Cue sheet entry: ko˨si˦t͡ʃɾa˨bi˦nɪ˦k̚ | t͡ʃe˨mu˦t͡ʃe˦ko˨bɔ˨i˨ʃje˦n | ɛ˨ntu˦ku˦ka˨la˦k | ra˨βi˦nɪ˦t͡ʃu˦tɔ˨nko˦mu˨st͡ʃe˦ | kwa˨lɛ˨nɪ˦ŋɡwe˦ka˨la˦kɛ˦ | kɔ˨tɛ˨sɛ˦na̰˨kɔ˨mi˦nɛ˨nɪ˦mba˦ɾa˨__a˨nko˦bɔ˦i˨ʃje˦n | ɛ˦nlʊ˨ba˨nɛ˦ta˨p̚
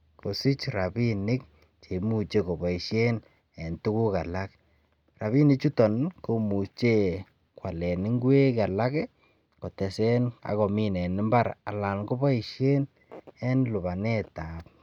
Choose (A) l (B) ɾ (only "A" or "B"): A